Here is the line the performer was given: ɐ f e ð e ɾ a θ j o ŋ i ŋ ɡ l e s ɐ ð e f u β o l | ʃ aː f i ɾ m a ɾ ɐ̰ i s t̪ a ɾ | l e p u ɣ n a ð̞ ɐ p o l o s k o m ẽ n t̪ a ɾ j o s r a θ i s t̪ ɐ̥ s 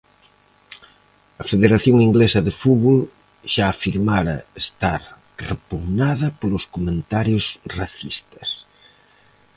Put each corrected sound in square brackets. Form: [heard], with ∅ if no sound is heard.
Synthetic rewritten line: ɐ f e ð e ɾ a θ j o ŋ i ŋ ɡ l e s ɐ ð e f u β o l | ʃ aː f i ɾ m a ɾ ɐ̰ [e] s t̪ a ɾ | [r] e p u ɣ n a ð̞ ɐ p o l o s k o m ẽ n t̪ a ɾ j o s r a θ i s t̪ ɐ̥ s

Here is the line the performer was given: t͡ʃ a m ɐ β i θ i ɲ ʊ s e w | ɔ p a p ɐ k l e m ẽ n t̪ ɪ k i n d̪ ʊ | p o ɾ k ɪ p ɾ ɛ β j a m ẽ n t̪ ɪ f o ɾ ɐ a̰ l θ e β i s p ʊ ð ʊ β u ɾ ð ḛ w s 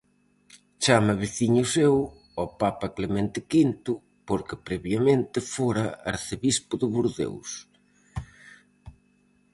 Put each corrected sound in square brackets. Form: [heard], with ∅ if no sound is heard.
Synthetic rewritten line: t͡ʃ a m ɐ β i θ i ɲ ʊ s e w | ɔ p a p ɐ k l e m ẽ n t̪ ɪ k i n [t̪] ʊ | p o ɾ k ɪ p ɾ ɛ β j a m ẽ n t̪ ɪ f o ɾ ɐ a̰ [ɾ] θ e β i s p ʊ ð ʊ β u ɾ ð ḛ w s

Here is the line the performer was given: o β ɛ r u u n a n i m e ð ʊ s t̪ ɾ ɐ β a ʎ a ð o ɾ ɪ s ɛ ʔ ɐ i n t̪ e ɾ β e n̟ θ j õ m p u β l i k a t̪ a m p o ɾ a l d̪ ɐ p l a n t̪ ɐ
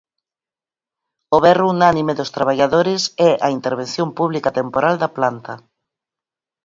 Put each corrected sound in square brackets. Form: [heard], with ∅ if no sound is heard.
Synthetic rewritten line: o β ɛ r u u n a n i m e ð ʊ s t̪ ɾ [a] β a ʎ a ð o ɾ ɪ s ɛ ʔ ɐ i n t̪ e ɾ β e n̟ θ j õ m p u β l i k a t̪ [e] m p o ɾ a l d̪ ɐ p l a n t̪ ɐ

